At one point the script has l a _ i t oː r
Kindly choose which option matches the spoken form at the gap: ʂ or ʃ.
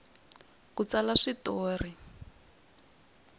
ʂ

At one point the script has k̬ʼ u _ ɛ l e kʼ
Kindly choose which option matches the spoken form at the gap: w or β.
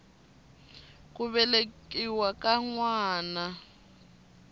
β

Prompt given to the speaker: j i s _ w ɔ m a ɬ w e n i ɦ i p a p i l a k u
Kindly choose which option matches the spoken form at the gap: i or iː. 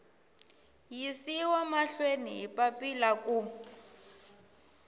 i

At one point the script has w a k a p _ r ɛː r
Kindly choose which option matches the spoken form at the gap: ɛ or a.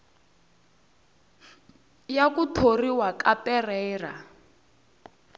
ɛ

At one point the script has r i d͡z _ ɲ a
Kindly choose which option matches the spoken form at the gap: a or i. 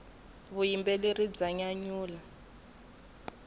a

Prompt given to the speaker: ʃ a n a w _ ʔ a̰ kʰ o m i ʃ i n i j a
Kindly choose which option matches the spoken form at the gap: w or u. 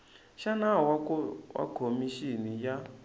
w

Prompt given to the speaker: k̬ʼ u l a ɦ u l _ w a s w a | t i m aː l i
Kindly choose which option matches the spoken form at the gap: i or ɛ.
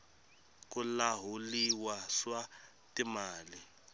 i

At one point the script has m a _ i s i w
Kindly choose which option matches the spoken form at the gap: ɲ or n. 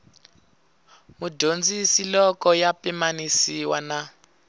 n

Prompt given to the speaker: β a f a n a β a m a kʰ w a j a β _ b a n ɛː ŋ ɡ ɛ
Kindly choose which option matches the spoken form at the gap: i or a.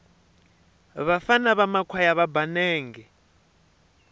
a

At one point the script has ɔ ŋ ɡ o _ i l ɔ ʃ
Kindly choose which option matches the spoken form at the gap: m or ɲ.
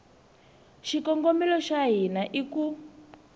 m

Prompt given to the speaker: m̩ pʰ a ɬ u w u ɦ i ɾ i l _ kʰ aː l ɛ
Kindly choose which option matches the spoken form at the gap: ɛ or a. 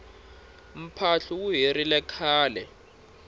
ɛ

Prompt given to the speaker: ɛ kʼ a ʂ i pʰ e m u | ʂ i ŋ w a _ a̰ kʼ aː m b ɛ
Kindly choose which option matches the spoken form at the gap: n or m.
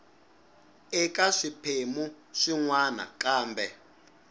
n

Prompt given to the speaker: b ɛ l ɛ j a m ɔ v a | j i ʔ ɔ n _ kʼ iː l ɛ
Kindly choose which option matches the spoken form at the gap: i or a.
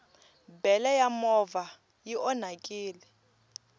a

